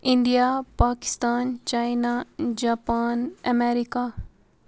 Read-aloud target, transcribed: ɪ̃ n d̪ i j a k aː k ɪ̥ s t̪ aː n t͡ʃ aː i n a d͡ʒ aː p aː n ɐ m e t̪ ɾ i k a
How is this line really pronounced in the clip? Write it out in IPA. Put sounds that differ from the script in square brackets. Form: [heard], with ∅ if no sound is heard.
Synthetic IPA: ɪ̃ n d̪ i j a [p] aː k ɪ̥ s t̪ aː n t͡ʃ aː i n a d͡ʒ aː p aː n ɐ m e [∅] ɾ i k a